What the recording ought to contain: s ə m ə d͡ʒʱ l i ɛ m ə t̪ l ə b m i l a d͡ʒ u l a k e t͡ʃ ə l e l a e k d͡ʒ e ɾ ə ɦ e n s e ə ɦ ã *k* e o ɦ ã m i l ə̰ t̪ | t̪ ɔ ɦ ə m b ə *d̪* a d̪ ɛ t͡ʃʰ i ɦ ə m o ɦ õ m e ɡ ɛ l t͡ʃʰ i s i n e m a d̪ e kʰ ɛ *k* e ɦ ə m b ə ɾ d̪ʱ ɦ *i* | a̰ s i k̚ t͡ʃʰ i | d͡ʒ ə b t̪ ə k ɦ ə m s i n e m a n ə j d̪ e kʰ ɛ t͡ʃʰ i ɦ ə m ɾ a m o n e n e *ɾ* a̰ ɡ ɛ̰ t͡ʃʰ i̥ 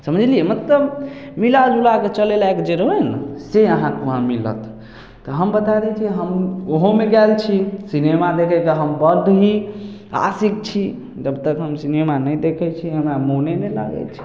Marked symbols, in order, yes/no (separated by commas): yes, no, yes, yes, no